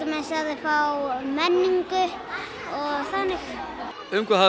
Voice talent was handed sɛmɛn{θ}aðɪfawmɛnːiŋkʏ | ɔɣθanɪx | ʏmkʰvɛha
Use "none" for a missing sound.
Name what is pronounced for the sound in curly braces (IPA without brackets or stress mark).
s